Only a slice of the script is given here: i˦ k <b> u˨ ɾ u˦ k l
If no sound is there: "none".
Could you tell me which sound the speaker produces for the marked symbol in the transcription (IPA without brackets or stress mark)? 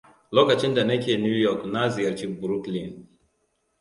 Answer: b